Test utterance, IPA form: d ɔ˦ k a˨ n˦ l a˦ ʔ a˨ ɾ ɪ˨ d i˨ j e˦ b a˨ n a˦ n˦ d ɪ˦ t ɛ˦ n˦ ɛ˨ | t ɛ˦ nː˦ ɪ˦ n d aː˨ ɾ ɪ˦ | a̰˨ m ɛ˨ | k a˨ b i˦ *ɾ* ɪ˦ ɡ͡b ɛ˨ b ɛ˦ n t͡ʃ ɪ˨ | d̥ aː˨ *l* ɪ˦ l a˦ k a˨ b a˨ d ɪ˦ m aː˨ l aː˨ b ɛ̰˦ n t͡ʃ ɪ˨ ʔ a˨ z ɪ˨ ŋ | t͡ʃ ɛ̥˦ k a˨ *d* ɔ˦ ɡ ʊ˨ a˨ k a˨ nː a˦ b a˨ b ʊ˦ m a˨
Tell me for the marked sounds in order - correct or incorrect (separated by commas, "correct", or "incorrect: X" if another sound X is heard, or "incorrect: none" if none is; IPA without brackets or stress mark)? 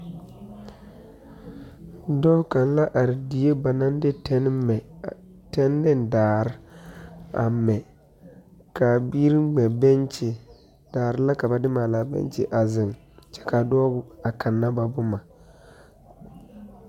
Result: correct, incorrect: ɾ, correct